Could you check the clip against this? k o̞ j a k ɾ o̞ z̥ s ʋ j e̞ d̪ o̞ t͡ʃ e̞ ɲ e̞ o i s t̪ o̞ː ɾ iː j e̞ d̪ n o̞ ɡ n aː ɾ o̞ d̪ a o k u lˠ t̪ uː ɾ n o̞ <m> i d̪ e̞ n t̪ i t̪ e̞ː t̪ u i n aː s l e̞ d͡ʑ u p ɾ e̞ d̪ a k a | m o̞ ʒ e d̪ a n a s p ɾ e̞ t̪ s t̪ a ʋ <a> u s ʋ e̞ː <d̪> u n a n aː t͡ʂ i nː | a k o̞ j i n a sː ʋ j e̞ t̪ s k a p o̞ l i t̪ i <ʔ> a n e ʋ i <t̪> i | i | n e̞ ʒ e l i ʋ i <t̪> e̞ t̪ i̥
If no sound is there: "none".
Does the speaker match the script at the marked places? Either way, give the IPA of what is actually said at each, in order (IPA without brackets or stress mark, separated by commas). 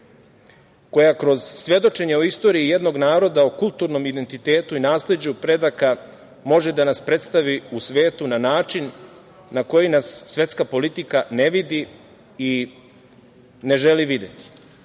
m, i, t̪, k, d̪, d̪